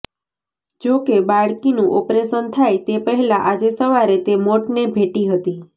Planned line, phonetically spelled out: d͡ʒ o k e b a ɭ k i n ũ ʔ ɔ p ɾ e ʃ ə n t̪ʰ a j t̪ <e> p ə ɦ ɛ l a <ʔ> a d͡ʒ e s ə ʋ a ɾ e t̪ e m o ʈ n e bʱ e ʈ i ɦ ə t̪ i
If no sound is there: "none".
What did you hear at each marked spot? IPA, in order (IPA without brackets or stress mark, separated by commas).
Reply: e, ʔ